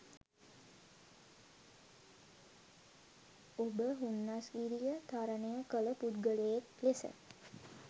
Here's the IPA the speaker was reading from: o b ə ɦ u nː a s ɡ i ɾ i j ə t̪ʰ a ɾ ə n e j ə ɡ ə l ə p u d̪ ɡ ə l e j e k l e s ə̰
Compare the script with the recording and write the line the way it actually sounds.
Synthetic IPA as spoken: o b ə ɦ u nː a s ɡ i ɾ i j ə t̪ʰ a ɾ ə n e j ə k ə l ə p u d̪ ɡ ə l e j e k l e s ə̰